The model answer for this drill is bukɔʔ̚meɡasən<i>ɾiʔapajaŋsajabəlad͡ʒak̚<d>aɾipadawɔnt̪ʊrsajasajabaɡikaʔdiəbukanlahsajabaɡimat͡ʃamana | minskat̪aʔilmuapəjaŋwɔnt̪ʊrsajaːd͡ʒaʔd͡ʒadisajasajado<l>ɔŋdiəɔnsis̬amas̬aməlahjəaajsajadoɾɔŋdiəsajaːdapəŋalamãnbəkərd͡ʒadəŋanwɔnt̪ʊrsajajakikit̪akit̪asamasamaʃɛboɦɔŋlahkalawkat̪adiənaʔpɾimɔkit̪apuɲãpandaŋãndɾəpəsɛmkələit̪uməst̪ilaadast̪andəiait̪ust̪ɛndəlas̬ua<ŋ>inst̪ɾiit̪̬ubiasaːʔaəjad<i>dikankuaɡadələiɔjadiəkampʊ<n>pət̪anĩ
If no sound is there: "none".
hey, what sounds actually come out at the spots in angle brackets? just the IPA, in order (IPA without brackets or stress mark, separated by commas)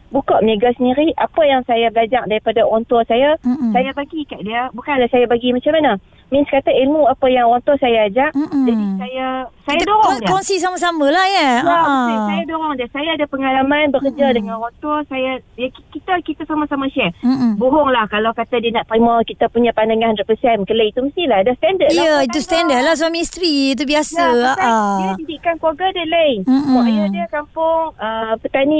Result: i, d, ɾ, m, i, ŋ